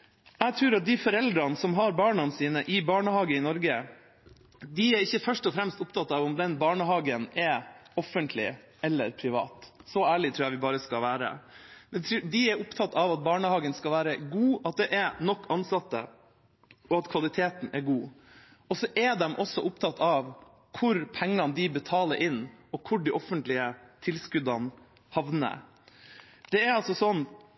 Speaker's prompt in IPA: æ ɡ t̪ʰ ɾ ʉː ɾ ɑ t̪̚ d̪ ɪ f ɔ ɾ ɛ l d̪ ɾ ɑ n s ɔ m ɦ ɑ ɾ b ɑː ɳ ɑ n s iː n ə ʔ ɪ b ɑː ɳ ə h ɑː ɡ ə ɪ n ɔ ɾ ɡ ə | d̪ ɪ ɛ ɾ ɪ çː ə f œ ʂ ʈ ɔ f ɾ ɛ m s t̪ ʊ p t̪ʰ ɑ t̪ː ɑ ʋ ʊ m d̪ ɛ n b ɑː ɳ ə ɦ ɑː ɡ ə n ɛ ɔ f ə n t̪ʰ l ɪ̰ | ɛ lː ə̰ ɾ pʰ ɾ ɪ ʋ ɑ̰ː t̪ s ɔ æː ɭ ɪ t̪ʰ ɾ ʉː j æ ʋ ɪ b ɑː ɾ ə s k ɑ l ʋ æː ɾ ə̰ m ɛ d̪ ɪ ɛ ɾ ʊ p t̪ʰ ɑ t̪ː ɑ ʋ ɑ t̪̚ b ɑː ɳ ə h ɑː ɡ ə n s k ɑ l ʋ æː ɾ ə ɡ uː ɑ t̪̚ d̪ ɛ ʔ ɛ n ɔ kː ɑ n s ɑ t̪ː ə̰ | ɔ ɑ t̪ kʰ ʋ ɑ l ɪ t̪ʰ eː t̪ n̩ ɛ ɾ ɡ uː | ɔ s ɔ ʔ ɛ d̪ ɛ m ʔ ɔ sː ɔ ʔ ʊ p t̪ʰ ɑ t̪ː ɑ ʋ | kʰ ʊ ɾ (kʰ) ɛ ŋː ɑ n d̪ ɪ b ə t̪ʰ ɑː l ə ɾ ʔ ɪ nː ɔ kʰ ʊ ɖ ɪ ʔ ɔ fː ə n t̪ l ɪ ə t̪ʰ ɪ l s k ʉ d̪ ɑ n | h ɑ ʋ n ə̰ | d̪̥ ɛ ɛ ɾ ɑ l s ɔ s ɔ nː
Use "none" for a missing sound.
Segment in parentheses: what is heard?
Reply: pʰ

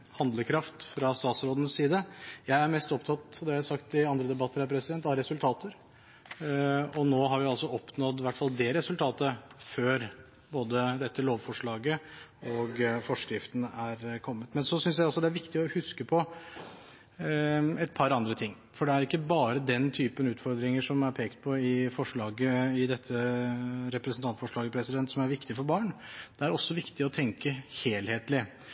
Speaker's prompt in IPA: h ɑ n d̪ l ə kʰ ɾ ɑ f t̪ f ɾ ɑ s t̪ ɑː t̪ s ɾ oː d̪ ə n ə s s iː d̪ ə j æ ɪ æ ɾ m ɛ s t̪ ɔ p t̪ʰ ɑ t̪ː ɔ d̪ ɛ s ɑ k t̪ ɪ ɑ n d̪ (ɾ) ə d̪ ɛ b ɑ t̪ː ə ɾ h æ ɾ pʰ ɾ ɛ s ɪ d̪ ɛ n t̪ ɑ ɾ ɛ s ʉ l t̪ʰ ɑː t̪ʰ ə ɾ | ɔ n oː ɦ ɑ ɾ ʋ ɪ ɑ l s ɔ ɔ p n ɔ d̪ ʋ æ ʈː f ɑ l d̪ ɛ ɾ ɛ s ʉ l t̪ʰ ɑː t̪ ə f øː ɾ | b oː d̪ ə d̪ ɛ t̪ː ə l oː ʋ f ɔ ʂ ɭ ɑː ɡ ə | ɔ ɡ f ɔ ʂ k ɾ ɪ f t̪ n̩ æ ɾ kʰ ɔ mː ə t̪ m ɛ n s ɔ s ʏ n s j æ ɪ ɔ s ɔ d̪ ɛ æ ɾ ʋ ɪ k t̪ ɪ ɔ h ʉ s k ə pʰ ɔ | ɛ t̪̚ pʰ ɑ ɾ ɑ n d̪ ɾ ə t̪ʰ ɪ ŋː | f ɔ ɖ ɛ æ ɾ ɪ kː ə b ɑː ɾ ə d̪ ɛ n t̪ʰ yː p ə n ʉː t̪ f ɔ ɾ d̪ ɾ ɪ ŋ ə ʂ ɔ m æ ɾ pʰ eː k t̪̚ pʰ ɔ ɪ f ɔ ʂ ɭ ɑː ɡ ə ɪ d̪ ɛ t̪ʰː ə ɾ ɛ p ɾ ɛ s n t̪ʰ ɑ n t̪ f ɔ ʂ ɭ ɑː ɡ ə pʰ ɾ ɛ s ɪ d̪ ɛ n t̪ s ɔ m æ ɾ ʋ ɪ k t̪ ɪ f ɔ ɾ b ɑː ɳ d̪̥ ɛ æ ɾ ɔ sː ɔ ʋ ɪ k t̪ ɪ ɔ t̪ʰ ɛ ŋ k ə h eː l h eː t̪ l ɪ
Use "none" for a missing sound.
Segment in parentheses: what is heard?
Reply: ɾ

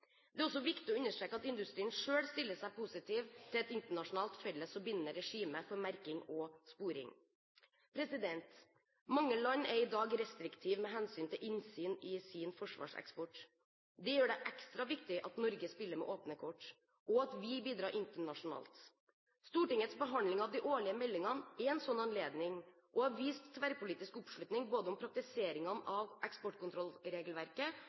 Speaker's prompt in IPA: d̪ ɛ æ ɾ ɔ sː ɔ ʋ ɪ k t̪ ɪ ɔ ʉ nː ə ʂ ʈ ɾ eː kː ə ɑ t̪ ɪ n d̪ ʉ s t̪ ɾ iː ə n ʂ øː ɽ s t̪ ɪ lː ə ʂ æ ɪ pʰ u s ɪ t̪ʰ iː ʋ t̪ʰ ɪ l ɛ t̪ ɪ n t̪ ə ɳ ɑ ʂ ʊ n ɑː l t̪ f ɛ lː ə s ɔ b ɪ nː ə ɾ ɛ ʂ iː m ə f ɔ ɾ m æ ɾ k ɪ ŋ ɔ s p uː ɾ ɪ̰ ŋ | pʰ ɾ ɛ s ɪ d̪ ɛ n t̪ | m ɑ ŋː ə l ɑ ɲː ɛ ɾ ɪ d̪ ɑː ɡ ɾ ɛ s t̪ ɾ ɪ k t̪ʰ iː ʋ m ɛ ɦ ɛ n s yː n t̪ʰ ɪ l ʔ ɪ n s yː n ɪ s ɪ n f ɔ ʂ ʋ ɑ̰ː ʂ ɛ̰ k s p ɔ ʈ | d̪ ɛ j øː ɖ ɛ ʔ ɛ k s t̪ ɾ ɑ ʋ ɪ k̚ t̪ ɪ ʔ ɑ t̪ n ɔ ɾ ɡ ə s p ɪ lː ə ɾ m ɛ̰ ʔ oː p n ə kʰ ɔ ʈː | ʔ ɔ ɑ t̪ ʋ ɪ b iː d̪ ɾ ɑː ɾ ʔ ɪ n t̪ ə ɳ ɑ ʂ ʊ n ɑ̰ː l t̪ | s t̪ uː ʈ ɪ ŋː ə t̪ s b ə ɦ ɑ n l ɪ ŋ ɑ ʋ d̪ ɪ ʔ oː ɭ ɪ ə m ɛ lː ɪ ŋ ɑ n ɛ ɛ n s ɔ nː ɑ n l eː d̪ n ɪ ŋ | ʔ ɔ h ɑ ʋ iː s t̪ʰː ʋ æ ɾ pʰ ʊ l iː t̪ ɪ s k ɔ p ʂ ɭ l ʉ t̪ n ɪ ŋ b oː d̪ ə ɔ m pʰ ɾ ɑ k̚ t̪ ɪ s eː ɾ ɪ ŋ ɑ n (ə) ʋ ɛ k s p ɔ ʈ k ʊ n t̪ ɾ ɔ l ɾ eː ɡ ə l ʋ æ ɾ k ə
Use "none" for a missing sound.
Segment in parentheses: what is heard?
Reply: ɑ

